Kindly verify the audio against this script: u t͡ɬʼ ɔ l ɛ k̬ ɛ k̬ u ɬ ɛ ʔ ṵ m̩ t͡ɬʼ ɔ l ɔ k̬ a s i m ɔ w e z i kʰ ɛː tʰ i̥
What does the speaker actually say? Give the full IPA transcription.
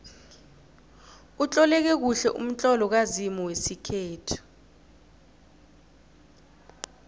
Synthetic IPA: u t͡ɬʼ ɔ l ɛ k̬ ɛ k̬ u ɬ ɛ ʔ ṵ m̩ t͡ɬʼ ɔ l ɔ k̬ a z i m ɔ w e s i kʰ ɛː tʰ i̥